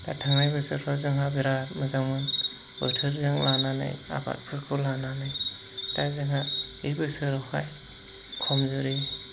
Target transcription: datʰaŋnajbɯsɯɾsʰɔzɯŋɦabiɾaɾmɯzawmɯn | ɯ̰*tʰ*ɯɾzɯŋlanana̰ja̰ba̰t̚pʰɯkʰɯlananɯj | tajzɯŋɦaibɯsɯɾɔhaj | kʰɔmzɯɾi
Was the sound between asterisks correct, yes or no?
yes